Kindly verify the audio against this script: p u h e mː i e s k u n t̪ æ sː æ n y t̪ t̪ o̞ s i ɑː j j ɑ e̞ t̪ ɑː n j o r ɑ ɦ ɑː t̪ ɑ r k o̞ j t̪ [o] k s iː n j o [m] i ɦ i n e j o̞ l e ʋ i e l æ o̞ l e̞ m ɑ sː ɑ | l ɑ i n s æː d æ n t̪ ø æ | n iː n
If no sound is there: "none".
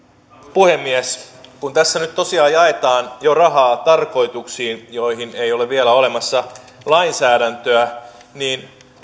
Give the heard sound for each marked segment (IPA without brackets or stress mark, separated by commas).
u, none